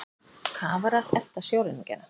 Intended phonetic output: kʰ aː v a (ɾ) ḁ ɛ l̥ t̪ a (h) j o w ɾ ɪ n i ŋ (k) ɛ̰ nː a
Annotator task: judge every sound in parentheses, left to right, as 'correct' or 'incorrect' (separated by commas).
correct, incorrect, incorrect